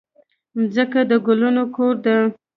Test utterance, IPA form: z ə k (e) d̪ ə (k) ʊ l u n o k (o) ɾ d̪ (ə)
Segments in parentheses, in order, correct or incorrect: incorrect: a, incorrect: ɡ, correct, correct

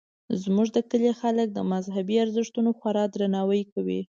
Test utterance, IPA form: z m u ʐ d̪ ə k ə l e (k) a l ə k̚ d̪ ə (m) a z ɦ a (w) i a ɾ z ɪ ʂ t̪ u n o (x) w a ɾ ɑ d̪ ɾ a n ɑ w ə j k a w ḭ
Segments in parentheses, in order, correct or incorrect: incorrect: x, correct, incorrect: b, correct

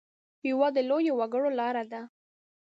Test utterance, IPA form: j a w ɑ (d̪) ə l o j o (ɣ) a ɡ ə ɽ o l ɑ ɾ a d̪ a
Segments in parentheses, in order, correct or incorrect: correct, incorrect: w

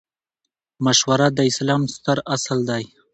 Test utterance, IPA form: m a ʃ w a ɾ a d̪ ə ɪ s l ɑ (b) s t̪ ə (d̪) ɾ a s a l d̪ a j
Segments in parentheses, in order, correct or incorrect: incorrect: m, incorrect: none

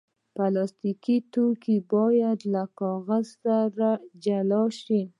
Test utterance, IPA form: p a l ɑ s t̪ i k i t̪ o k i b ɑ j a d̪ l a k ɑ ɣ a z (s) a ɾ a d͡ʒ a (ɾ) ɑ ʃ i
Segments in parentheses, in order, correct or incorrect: correct, incorrect: l

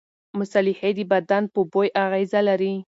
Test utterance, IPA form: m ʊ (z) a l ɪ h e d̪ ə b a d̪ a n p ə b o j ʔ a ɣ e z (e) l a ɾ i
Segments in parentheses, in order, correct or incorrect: incorrect: s, incorrect: a

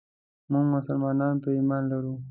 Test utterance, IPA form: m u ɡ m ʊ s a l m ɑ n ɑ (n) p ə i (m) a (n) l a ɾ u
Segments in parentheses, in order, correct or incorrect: correct, correct, correct

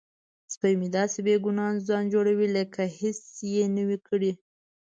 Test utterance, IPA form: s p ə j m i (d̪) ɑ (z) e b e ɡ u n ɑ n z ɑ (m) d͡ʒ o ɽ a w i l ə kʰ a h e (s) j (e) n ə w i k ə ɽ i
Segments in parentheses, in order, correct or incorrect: correct, incorrect: s, incorrect: n, correct, correct

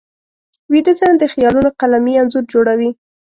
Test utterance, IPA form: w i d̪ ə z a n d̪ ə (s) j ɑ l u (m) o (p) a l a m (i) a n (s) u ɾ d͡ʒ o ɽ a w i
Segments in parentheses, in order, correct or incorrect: incorrect: x, incorrect: n, incorrect: q, correct, incorrect: z

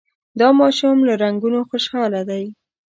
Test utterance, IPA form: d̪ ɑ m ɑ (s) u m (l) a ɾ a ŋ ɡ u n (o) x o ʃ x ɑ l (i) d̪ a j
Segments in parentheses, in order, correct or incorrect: incorrect: ʃ, correct, correct, incorrect: a

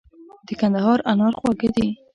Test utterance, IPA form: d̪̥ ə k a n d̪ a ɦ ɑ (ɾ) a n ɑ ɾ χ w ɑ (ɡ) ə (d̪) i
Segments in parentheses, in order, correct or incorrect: correct, correct, correct

